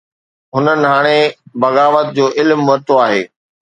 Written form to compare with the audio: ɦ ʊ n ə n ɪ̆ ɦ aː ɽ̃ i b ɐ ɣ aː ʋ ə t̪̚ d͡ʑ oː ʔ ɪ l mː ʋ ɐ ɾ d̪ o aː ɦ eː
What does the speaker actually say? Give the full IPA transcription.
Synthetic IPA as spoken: ɦ ʊ n ə n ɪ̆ ɦ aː ɽ̃ e b ɐ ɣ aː ʋ ə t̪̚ d͡ʑ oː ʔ ɪ l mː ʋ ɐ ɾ t̪ o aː ɦ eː